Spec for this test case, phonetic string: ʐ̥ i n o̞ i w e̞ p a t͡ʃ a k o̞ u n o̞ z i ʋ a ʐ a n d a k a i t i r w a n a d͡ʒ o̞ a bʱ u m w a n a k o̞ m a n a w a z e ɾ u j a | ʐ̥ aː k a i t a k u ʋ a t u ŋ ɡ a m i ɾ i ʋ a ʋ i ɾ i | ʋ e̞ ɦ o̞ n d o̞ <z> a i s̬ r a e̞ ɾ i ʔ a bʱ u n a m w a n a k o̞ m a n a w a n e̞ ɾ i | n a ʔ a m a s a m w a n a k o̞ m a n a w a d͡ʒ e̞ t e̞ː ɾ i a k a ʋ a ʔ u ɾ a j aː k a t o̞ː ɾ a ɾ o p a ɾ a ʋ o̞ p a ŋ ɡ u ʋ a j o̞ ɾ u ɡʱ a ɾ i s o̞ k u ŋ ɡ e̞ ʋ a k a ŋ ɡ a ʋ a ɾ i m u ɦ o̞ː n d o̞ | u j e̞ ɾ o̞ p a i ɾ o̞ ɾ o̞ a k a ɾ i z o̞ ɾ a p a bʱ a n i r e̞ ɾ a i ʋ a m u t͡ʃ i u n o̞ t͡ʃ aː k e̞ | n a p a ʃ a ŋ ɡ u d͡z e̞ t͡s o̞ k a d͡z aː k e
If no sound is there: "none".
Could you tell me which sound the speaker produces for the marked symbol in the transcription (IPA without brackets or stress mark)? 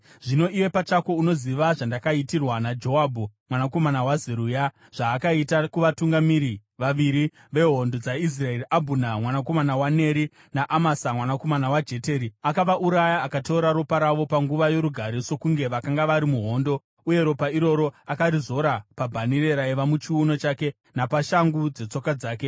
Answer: d͡z